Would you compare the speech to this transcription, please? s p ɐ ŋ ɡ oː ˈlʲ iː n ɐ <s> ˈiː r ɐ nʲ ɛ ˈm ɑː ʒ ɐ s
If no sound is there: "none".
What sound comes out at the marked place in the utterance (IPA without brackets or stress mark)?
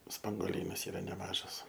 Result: s